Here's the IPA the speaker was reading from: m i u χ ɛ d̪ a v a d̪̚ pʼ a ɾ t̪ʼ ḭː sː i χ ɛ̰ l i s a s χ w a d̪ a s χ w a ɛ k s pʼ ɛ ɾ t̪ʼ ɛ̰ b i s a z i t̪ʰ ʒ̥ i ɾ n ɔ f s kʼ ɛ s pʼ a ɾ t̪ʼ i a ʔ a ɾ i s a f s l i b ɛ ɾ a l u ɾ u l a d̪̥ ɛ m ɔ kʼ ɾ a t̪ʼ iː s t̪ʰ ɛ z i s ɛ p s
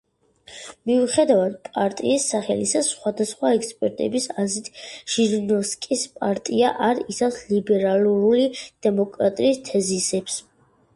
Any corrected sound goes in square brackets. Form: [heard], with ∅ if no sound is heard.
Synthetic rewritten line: m i u χ ɛ d̪ a v a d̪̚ pʼ a ɾ t̪ʼ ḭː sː [a] χ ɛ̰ l i s a s χ w a d̪ a s χ w a ɛ k s pʼ ɛ ɾ t̪ʼ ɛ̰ b i s a z i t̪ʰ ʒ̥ i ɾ n ɔ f s kʼ [i] s pʼ a ɾ t̪ʼ i a ʔ a ɾ i s a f s l i b ɛ ɾ a l u ɾ u l [i] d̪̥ ɛ m ɔ kʼ ɾ a t̪ʼ iː s t̪ʰ ɛ z i s ɛ p s